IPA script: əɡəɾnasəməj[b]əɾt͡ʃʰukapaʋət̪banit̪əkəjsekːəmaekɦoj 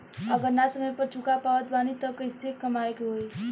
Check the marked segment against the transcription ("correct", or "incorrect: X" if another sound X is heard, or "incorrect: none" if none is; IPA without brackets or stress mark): incorrect: p